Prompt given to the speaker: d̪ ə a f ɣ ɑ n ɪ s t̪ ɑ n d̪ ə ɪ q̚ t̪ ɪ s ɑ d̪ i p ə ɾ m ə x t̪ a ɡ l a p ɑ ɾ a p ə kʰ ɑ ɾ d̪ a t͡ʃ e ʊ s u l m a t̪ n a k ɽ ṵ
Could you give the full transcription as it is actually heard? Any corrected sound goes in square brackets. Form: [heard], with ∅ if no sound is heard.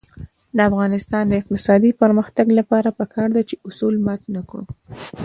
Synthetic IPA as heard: d̪ ə a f ɣ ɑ n ɪ s t̪ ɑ n d̪ ə ɪ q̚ t̪ ɪ s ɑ d̪ i p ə ɾ m ə x t̪ a ɡ l a p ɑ ɾ a p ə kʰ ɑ ɾ d̪ a t͡ʃ e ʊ s u l m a t̪ n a k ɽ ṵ